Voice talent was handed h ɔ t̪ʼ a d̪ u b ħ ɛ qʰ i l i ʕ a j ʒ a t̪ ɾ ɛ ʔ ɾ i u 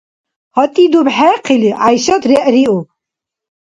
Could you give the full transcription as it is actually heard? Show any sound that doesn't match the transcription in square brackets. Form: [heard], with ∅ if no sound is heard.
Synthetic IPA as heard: h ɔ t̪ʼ [i] d̪ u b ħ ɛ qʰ i l i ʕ a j [ʃ] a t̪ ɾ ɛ ʔ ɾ i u